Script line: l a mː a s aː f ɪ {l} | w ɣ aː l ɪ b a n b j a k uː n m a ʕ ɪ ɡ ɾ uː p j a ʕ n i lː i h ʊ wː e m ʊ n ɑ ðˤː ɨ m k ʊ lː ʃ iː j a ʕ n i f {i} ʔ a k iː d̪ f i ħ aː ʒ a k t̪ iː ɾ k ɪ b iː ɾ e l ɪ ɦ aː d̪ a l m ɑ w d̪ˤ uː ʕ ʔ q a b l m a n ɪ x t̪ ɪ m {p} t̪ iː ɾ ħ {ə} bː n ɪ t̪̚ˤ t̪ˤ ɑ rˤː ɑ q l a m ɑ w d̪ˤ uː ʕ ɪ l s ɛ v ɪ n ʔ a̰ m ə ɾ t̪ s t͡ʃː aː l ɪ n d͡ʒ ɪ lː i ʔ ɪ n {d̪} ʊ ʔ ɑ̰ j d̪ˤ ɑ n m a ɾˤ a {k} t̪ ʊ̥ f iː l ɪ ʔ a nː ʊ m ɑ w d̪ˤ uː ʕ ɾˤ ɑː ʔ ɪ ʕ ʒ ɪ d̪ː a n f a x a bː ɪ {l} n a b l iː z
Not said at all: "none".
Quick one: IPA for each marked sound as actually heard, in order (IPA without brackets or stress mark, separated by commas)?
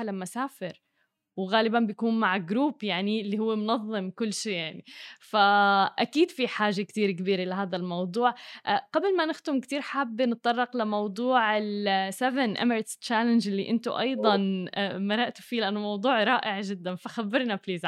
ɾ, a, k, a, t̪, ʔ, ɾ